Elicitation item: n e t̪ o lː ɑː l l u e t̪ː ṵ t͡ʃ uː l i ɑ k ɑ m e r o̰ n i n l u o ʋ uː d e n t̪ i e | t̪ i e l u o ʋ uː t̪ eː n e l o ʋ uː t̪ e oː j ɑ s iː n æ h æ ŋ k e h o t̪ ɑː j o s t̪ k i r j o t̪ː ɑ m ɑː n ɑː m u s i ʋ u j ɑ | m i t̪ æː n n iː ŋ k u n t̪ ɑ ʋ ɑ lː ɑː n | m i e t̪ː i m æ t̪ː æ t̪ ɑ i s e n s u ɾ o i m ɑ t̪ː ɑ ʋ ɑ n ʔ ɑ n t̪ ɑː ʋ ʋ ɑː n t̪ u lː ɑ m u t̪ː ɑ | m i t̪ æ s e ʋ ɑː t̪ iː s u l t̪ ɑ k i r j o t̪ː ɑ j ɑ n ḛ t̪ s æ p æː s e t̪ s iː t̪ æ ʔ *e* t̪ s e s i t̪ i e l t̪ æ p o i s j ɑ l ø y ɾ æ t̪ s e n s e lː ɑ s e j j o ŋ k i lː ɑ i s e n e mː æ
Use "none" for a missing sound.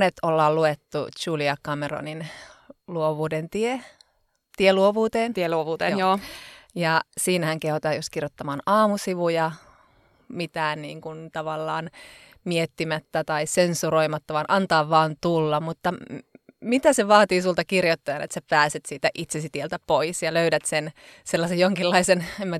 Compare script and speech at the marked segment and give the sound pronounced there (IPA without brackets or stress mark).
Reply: i